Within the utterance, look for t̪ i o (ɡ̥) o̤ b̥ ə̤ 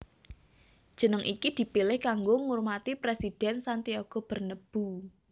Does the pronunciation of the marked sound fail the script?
no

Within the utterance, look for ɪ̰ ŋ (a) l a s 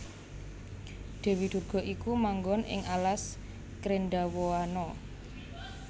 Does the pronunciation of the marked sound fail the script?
no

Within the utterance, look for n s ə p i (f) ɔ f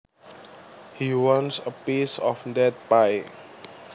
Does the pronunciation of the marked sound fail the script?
yes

